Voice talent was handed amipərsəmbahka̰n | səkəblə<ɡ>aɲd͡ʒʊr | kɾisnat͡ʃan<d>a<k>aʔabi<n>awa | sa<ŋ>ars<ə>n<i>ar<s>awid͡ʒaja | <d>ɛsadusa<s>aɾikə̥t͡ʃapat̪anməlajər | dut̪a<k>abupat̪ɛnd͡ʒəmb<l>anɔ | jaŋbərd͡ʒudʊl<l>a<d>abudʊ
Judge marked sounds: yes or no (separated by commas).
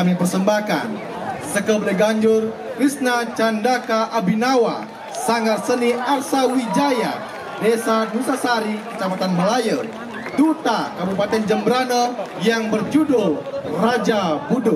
yes, yes, yes, yes, yes, yes, yes, yes, yes, yes, yes, no, no, no